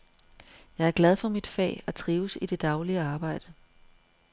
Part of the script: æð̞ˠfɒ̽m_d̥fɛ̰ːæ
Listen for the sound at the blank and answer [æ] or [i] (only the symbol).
i